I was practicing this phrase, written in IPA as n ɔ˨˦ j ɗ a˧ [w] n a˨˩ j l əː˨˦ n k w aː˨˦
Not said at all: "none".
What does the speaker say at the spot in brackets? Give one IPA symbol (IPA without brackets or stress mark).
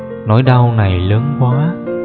w